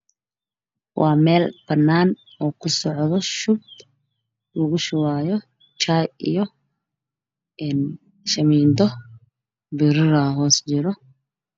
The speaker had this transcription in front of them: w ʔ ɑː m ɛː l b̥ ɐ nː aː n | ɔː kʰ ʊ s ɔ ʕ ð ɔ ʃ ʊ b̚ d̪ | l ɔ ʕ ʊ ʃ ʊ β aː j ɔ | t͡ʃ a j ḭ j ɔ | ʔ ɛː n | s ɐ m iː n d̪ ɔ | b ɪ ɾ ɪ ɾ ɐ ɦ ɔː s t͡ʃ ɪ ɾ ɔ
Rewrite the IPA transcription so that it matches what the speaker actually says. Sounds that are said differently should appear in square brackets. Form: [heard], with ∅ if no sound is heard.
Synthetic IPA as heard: w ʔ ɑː m ɛː l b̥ ɐ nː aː n | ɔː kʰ ʊ s ɔ ʕ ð ɔ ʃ ʊ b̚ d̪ | l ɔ [ɣ] ʊ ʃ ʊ [w] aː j ɔ | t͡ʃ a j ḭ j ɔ | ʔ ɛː n | [ʃ] ɐ m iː n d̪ ɔ | b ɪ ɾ ɪ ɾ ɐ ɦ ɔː s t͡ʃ ɪ ɾ ɔ